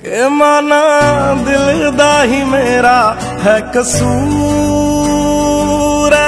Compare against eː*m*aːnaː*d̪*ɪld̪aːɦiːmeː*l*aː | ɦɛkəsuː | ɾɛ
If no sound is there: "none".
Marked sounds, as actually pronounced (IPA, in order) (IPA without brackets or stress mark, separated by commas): m, d̪, ɾ